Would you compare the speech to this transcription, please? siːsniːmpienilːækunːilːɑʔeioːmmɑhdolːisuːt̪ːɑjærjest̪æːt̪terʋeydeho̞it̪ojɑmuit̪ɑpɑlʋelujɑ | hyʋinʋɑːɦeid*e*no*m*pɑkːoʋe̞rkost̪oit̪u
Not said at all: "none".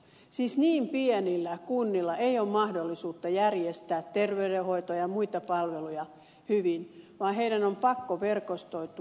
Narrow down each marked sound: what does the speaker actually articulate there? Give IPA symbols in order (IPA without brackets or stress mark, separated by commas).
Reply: æ, m